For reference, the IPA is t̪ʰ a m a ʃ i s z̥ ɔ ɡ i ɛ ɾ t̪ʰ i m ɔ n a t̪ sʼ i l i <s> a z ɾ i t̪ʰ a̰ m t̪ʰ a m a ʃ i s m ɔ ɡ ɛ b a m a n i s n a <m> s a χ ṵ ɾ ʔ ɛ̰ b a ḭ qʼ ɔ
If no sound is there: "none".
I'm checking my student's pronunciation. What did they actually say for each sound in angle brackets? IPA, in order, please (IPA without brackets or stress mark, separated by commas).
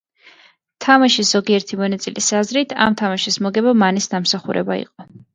s, m